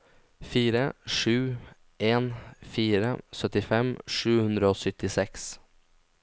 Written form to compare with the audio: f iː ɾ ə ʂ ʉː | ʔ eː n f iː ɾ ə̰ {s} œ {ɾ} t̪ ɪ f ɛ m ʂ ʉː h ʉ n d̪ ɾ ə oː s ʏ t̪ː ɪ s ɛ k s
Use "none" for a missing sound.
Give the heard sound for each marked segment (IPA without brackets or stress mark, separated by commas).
s, none